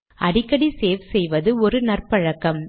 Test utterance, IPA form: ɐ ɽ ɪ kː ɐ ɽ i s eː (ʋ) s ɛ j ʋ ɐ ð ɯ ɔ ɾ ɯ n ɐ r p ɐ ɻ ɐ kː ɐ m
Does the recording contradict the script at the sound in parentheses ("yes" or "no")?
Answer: no